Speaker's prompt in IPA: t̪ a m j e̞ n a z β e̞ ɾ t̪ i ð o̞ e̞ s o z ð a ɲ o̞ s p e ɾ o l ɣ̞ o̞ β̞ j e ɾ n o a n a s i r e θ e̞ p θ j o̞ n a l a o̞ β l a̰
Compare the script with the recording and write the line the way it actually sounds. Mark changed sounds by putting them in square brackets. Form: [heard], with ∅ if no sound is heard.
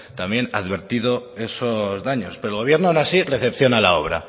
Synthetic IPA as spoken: t̪ a m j e̞ n a [ð] β e̞ ɾ t̪ i ð o̞ e̞ s o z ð a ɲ o̞ s p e ɾ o l ɣ̞ o̞ β̞ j e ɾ n o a n a s i r e θ e̞ p θ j o̞ n a l a o̞ β [ɾ] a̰